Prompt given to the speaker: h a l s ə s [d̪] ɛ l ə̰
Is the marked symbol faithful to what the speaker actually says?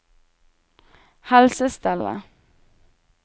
no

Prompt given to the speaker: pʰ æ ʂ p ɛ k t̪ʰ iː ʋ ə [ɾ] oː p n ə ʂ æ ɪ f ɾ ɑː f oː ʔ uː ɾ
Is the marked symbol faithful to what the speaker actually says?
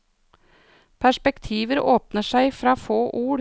yes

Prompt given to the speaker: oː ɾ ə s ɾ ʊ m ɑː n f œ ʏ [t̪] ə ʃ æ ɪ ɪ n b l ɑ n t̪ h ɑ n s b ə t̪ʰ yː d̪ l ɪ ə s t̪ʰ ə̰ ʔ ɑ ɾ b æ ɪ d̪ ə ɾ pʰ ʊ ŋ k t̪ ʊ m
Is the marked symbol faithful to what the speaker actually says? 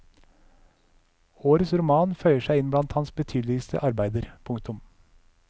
no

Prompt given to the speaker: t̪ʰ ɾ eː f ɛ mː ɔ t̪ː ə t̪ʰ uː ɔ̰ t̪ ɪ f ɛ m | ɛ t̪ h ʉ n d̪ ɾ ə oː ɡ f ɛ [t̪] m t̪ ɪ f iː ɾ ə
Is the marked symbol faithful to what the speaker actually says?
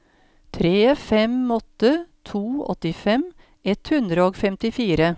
no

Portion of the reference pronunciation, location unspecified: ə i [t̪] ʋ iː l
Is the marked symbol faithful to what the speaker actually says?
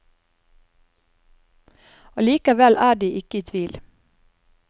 no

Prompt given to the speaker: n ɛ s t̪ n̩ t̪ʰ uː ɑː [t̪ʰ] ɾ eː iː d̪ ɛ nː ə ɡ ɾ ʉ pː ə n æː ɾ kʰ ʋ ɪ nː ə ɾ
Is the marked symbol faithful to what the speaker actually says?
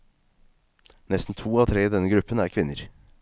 yes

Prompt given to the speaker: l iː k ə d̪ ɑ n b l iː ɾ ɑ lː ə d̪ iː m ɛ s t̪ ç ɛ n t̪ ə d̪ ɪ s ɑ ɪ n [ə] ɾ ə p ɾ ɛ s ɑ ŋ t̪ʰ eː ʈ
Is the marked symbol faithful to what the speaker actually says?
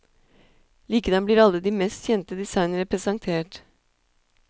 yes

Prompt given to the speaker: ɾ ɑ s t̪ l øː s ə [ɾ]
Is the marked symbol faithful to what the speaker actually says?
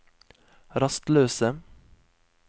no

